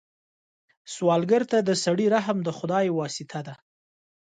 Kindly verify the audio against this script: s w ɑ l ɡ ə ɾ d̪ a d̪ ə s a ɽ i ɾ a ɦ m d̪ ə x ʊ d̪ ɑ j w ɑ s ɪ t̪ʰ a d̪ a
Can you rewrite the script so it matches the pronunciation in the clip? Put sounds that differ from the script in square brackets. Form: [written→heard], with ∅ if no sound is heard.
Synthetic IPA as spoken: s w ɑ l ɡ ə ɾ [d̪→t̪] a d̪ ə s a ɽ i ɾ a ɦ m d̪ ə x ʊ d̪ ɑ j w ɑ s ɪ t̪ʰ a d̪ a